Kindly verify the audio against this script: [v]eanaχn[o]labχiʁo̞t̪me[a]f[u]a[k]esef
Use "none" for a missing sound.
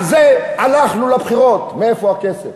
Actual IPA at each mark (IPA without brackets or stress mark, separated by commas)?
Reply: z, u, e, o, k